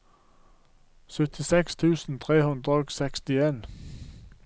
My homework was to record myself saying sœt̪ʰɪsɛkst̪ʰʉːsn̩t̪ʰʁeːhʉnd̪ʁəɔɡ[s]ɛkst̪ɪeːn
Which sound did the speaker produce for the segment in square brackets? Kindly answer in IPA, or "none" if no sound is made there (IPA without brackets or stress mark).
s